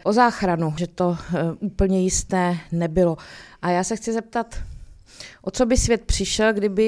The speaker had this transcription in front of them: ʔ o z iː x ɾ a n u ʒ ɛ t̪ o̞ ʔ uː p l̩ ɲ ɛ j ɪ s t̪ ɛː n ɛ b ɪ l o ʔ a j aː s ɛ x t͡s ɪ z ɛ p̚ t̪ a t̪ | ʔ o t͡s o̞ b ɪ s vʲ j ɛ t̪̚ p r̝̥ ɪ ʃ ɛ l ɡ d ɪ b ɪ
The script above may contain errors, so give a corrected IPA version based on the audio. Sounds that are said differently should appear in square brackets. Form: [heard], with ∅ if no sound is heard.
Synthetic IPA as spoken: ʔ o z [aː] x ɾ a n u ʒ ɛ t̪ o̞ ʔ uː p l̩ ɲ ɛ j ɪ s t̪ ɛː n ɛ b ɪ l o ʔ a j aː s ɛ x t͡s ɪ z ɛ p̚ t̪ a t̪ | ʔ o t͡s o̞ b ɪ s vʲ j ɛ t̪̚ p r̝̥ ɪ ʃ ɛ l ɡ d ɪ b ɪ